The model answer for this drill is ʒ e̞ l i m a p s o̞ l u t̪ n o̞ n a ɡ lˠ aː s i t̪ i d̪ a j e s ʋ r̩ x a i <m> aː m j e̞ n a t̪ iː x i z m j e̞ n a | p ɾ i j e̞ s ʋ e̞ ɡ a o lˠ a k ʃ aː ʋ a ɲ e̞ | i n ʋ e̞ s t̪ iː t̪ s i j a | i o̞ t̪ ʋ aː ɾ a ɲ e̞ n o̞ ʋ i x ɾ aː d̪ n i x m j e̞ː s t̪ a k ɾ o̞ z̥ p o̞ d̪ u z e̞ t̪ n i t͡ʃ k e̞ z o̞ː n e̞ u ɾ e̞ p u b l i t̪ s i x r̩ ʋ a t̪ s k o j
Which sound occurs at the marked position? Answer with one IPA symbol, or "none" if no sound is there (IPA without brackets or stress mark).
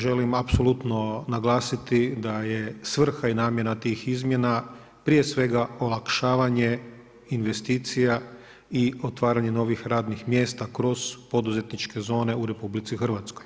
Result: n